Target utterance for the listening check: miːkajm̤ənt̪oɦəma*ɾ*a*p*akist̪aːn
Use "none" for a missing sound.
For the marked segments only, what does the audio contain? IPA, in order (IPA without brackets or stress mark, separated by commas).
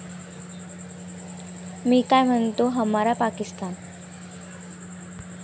ɾ, p